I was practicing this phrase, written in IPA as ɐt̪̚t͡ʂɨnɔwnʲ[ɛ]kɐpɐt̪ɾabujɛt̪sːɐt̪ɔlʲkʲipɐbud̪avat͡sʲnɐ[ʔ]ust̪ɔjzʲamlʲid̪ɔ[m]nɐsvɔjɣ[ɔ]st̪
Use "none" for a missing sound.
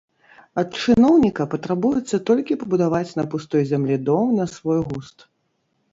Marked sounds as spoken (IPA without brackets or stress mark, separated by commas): i, p, m, u